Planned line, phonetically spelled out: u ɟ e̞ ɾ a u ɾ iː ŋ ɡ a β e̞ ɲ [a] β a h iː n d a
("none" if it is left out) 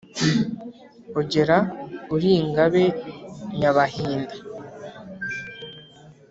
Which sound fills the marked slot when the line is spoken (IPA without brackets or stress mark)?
a